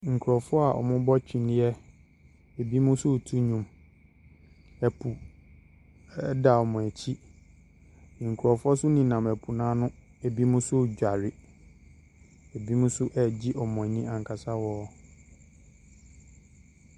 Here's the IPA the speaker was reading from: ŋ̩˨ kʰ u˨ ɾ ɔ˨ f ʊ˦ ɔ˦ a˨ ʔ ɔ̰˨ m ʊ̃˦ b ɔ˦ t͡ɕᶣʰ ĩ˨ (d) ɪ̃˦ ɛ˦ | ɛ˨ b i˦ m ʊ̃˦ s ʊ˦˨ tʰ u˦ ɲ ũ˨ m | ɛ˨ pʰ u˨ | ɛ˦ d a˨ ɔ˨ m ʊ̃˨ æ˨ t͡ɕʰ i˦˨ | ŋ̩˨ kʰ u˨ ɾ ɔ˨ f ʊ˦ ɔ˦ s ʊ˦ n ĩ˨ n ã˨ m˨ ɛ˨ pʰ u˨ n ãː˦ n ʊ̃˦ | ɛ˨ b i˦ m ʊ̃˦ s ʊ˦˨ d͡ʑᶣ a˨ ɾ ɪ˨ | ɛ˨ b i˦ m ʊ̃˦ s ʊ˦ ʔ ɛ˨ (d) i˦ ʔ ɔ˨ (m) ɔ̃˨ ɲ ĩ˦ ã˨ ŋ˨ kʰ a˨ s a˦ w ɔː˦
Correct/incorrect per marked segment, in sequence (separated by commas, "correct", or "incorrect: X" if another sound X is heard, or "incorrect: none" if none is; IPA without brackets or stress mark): incorrect: n, incorrect: d͡ʑ, correct